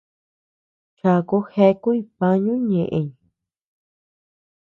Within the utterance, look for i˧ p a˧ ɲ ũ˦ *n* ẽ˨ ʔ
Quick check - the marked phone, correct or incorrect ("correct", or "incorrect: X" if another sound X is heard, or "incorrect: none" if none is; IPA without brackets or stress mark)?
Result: incorrect: ɲ